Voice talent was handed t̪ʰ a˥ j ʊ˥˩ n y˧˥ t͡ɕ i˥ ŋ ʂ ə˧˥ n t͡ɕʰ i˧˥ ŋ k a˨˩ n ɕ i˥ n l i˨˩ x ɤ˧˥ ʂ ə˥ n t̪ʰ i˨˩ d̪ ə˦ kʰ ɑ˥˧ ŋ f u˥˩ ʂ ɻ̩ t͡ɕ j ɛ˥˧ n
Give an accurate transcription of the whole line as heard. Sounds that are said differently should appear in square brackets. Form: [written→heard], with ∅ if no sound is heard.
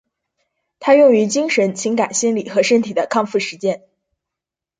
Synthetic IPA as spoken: t̪ʰ a˥ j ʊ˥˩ [n→ŋ] y˧˥ t͡ɕ i˥ ŋ ʂ ə˧˥ n t͡ɕʰ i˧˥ ŋ k a˨˩ n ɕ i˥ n l i˨˩ x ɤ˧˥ ʂ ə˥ n t̪ʰ i˨˩ d̪ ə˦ kʰ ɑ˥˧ ŋ f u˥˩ ʂ ɻ̩ t͡ɕ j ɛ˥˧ n